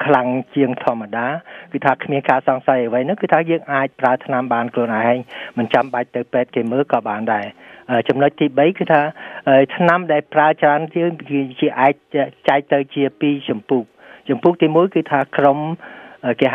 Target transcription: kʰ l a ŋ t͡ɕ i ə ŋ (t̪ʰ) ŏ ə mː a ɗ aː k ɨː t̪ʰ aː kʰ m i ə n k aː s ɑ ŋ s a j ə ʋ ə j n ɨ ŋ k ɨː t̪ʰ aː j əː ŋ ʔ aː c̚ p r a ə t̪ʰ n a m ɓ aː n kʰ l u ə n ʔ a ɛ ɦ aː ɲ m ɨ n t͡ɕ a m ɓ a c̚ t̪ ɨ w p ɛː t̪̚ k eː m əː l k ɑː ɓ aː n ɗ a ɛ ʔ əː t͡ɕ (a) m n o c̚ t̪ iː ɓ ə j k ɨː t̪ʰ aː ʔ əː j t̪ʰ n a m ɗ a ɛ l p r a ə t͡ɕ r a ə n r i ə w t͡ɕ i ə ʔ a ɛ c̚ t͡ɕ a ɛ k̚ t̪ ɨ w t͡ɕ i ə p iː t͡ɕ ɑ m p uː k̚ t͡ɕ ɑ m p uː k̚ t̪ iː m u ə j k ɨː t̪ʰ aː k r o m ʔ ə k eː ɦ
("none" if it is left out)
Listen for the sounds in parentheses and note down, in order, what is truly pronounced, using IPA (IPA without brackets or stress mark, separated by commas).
t̪ʰ, ɑ